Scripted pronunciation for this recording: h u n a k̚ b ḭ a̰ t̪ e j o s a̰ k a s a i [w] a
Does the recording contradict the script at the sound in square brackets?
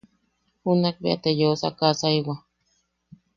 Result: no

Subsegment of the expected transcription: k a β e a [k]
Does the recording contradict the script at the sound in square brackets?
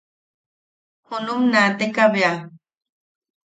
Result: yes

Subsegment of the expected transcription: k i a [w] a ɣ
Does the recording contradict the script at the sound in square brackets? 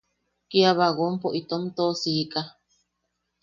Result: yes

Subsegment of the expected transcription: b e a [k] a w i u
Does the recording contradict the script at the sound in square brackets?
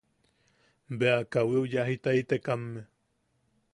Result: no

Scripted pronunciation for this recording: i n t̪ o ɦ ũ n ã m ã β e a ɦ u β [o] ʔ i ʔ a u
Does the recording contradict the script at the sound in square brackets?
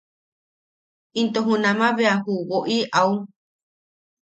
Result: no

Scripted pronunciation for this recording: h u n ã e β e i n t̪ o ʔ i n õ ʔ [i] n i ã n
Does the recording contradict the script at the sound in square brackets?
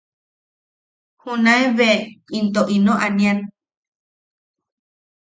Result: yes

